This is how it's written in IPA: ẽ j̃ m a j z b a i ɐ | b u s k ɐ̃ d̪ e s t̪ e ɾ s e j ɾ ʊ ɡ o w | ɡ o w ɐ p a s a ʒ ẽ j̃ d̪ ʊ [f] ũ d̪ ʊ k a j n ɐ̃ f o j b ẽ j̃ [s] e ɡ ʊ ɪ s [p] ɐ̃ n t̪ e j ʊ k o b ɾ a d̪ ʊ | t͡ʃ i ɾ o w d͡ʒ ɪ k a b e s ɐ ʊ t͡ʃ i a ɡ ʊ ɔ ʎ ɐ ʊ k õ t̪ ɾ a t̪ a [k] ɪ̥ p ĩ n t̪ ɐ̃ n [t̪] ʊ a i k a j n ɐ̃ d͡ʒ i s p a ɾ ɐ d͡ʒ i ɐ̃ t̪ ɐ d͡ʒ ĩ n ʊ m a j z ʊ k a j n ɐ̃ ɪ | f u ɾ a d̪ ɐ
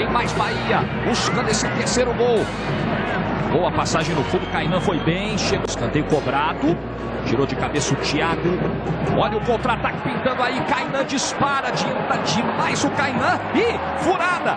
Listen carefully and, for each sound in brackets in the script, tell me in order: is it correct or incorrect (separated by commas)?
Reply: correct, incorrect, incorrect, correct, incorrect